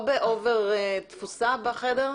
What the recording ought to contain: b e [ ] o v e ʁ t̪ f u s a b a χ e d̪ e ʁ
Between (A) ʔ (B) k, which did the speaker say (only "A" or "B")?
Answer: A